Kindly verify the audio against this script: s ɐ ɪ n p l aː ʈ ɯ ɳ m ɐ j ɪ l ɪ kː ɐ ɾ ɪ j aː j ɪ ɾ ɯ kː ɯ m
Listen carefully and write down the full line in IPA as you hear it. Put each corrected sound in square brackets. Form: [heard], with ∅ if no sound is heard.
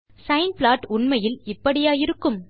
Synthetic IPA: s ɐ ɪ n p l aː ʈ [ʊ] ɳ m ɐ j ɪ l ɪ [pː] ɐ [ɽ] ɪ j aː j ɪ ɾ ɯ kː ɯ m

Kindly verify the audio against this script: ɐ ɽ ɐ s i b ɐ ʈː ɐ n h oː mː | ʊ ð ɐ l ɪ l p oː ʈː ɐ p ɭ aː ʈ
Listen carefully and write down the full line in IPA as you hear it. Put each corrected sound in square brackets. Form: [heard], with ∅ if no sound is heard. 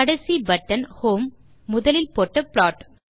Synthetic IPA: ɐ ɽ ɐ s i b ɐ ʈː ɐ n h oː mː | ʊ ð ɐ l ɪ l p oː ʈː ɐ p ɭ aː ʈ

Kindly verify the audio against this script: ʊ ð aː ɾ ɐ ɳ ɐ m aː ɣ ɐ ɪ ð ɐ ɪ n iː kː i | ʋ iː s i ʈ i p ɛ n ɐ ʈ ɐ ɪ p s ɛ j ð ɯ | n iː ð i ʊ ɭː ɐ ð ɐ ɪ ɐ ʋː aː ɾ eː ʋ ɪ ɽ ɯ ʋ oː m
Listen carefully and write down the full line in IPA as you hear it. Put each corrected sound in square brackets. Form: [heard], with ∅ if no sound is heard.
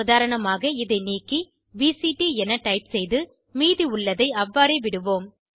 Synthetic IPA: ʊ ð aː ɾ ɐ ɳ ɐ m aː ɣ ɐ ɪ ð ɐ ɪ n iː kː i | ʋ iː s i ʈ i [∅] ɛ n ɐ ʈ ɐ ɪ p s ɛ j ð ɯ | [m] iː ð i ʊ ɭː ɐ ð ɐ ɪ ɐ ʋː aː ɾ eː ʋ ɪ ɽ ɯ ʋ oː m

